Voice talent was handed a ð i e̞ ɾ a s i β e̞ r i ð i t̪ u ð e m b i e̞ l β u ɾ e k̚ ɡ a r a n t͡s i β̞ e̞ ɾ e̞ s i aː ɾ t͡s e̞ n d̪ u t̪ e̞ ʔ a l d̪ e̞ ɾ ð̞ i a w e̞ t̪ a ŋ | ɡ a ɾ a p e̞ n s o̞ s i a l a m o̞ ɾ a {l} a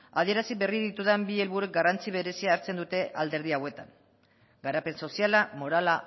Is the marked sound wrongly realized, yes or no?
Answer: no